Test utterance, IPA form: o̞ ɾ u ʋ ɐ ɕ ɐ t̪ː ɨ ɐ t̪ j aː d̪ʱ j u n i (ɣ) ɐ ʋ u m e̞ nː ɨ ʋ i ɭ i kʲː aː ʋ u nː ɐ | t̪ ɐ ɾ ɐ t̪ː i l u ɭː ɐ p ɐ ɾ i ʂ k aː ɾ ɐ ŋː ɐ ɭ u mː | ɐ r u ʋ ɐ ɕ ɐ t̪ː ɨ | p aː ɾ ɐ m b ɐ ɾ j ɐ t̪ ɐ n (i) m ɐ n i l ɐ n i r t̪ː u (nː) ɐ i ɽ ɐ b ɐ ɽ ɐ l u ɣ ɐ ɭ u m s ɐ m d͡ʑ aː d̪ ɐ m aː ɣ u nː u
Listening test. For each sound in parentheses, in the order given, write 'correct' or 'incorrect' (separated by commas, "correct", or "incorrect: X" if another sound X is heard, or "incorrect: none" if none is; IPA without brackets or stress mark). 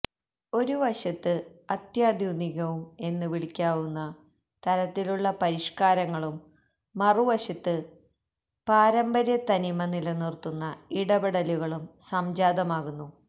correct, correct, correct